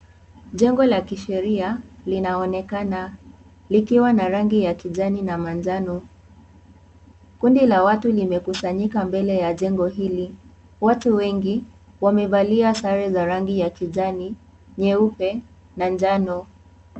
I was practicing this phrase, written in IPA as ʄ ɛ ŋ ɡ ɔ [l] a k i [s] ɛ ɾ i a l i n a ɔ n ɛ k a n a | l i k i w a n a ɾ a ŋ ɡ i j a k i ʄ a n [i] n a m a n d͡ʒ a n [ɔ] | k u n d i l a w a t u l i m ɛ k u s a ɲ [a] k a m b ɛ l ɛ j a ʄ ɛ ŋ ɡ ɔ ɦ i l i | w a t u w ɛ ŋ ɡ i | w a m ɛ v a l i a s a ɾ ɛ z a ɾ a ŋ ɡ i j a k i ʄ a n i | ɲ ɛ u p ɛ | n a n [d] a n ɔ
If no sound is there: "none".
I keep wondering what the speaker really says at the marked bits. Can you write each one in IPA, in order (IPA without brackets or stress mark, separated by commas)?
l, ʃ, i, ɔ, i, d͡ʒ